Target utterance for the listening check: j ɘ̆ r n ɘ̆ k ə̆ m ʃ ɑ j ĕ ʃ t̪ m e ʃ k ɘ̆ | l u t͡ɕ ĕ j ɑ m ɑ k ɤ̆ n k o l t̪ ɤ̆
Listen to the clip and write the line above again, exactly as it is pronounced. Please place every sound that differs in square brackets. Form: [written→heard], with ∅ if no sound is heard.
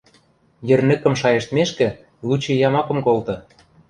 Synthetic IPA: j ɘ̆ r n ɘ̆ k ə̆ m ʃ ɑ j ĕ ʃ t̪ m e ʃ k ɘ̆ | l u t͡ɕ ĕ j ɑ m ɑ k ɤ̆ [n→m] k o l t̪ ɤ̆